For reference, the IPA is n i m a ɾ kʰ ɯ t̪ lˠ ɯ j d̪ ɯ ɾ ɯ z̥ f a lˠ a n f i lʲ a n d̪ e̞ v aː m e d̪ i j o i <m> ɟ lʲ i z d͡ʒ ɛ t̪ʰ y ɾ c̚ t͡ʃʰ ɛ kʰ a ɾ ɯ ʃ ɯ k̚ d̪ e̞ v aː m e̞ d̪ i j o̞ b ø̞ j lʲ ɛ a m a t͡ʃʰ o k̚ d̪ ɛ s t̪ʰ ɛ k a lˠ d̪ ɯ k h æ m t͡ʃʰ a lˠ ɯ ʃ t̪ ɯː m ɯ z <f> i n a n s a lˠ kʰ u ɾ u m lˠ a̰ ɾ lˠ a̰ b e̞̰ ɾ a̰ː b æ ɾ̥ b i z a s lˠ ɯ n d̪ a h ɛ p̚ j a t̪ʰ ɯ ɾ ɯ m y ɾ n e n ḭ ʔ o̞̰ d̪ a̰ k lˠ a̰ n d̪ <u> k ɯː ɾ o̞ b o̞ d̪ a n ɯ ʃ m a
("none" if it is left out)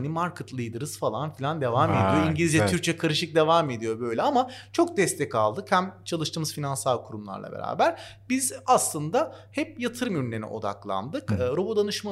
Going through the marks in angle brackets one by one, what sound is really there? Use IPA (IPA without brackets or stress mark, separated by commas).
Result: ɲ, f, ɯ